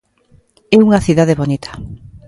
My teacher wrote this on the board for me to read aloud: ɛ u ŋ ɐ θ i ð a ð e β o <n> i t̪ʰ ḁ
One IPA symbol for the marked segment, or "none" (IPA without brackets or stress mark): n